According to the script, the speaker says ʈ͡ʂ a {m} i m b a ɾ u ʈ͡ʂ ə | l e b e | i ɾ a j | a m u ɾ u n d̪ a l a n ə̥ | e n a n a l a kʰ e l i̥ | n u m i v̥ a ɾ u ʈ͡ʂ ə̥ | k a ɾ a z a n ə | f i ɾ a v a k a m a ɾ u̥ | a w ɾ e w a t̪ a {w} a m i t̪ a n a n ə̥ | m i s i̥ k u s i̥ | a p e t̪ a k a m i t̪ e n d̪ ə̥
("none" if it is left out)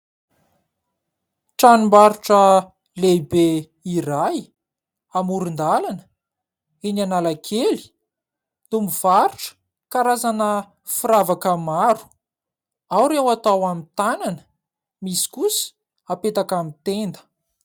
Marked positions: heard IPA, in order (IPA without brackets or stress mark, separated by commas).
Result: n, w